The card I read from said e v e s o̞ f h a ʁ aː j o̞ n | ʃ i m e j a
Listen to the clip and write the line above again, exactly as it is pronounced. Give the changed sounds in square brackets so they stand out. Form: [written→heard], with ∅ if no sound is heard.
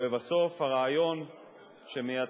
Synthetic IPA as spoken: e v [e→a] s o̞ f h a ʁ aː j o̞ n | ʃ [i→e] m e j a

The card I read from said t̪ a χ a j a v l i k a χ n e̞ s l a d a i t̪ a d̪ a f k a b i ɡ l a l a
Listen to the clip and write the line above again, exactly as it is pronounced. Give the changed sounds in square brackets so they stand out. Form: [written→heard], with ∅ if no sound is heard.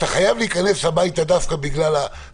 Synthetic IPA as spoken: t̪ a χ a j a v l [i→iː] k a [χ→∅] n e̞ s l a [d→b] a [i→j] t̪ a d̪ a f k a b i ɡ l a l a

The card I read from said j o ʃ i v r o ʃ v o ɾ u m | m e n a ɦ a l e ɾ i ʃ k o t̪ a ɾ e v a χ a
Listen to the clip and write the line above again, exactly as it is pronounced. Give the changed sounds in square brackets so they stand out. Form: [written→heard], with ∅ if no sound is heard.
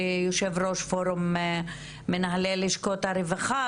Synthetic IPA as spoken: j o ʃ [i→e] v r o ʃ [v→f] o ɾ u m | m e n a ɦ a l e [ɾ→l] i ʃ k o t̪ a ɾ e v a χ a

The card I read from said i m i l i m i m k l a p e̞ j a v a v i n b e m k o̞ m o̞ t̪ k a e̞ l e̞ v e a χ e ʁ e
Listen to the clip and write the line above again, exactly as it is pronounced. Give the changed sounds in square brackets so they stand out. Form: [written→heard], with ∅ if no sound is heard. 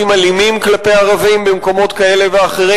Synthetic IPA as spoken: i m [i→a] l i m i m k l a p e̞ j a [v→ʁ] a v i [n→m] b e m k o̞ m o̞ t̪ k a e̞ l e̞ v e a χ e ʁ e

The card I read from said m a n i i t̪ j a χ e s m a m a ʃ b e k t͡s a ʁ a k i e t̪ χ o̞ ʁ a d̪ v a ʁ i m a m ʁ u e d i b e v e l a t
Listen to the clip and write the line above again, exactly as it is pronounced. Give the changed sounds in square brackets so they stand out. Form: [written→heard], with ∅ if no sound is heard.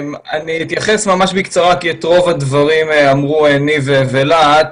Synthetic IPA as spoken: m a n i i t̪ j a χ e s m a m a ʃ b [e→i] k t͡s a ʁ a k i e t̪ [χ→ʁ] o̞ [ʁ→v] a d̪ v a ʁ i m a m ʁ u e [d→n] i [b→v] e v e l a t

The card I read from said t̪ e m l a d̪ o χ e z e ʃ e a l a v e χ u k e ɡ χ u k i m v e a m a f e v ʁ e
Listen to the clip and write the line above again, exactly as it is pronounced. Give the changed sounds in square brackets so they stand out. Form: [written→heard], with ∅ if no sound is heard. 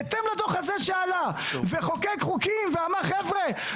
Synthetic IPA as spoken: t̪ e m l a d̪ o χ [e→a] z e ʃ e a l a v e χ [u→o] k e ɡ χ u k i m v e a m a [f→χ] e v ʁ e

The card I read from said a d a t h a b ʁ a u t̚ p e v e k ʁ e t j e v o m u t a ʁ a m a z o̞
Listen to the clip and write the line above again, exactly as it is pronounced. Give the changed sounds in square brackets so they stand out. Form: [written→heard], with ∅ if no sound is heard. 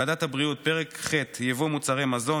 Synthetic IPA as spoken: a d a t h a b ʁ [a→i] u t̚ p e [v→ʁ] e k [ʁ→χ] e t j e v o m u [t→t͡s] a ʁ [a→e] m a z o̞

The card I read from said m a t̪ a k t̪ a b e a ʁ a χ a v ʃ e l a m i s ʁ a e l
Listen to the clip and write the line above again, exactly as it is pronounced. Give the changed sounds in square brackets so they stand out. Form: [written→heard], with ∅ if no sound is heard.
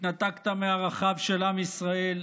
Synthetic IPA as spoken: [m→n] a t̪ a k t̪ a [b→m] e a ʁ a χ a v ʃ e l a m i s ʁ a e l

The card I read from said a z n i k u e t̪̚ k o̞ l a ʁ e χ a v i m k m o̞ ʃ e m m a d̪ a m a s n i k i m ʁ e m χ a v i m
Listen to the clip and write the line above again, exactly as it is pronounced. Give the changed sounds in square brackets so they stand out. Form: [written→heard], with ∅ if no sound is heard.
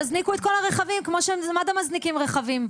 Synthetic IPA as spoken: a z n i k u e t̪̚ k o̞ l a ʁ e χ a v i m k m o̞ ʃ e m m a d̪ a m a [s→z] n i k i m ʁ e [m→∅] χ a v i m

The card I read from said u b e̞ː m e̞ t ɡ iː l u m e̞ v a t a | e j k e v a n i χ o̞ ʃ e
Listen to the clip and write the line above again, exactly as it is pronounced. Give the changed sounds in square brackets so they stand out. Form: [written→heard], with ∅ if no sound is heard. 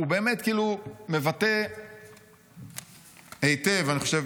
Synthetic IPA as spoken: u b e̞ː m e̞ t [ɡ→k] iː l u m e̞ v a t [a→e] | e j [k→t] e v a n i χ o̞ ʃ e

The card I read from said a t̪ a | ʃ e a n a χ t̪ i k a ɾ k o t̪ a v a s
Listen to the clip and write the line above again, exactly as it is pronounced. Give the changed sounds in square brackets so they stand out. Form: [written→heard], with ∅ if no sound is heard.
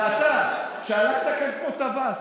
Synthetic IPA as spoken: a t̪ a | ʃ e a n a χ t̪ [i→a] k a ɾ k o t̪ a v a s

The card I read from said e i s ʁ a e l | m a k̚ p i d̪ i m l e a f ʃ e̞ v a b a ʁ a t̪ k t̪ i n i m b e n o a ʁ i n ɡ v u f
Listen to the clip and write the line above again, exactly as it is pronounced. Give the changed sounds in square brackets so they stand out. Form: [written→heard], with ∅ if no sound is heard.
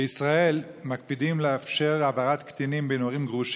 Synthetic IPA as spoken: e i s ʁ a e l | m a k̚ p i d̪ i m l e a f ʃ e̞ [v→ʁ] a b a ʁ a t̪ k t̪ i n i m b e n o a ʁ i [n→m] ɡ [v→ʁ] u [f→ʃ]

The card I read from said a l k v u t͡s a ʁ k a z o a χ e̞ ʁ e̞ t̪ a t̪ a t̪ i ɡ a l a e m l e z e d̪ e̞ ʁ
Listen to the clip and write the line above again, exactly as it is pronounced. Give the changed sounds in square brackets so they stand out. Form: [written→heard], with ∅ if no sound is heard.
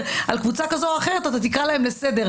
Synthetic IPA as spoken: a l k v u t͡s a [ʁ→∅] k a z o a χ e̞ ʁ e̞ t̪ a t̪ a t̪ i [ɡ→k] a l a e m l e [z→s] e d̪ e̞ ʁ

